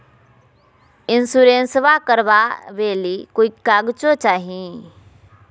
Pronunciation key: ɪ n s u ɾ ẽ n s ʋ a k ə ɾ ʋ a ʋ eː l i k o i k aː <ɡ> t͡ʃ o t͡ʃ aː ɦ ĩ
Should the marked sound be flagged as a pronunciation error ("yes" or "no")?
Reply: no